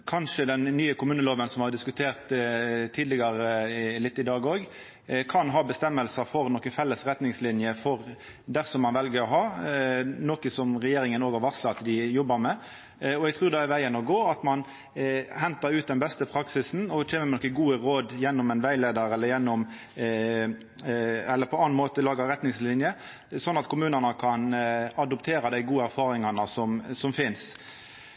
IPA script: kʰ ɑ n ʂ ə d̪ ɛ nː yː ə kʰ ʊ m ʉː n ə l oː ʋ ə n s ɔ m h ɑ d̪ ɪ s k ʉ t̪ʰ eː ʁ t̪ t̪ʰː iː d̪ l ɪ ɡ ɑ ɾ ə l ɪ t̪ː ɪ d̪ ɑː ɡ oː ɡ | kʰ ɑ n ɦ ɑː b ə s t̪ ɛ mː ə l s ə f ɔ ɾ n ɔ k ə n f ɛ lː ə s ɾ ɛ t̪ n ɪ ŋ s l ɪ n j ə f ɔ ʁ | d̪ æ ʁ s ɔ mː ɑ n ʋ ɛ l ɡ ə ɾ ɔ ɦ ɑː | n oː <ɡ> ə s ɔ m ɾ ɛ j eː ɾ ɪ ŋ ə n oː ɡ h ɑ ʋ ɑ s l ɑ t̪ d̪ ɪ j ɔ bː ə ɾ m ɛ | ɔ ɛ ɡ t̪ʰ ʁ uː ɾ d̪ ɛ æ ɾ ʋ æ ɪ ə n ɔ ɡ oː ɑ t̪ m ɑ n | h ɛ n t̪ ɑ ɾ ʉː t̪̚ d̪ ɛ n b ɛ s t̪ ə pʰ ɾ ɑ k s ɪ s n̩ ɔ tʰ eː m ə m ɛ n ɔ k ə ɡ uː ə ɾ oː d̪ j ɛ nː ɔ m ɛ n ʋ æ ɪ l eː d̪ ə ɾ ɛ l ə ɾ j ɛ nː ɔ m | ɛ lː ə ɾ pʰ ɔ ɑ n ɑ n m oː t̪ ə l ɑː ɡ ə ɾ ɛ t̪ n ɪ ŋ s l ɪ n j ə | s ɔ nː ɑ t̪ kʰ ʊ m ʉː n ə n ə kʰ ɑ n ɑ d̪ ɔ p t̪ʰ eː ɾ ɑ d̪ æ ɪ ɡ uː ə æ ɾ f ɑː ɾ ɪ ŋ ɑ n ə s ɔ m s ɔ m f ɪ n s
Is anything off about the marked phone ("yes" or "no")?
yes